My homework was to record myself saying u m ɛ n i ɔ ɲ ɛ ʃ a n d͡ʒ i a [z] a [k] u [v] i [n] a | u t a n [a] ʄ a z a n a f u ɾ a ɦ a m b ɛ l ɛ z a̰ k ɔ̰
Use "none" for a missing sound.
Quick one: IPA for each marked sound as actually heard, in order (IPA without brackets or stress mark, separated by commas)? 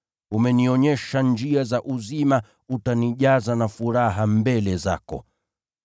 z, ʔ, z, m, i